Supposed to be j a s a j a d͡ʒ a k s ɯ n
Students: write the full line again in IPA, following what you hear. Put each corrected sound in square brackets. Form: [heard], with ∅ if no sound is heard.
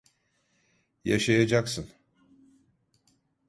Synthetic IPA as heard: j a [ʃ] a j a d͡ʒ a k s ɯ n